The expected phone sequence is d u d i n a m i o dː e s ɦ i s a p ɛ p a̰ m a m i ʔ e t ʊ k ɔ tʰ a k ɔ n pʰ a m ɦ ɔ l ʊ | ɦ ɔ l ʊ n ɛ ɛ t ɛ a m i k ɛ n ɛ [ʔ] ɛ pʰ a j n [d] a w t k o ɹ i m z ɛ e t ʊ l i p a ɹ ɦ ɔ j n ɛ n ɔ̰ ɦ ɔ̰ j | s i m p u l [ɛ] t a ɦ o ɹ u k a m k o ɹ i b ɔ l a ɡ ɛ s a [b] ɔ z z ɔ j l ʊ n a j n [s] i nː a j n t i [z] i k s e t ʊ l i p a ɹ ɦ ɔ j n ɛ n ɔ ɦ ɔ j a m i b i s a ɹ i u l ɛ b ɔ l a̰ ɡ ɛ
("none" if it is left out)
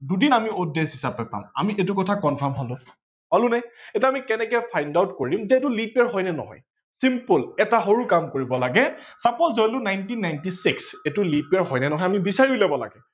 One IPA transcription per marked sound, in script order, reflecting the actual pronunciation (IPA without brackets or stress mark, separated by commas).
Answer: k, d, ɛ, p, t, s